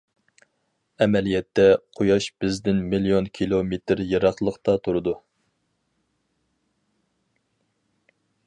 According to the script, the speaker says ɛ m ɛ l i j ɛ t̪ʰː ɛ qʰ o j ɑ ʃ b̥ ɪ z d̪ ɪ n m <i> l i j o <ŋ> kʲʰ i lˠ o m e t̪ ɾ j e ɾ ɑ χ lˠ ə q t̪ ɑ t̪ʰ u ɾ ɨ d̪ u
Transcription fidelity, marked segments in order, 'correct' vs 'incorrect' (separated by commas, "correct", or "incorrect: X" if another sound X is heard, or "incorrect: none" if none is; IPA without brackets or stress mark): correct, incorrect: n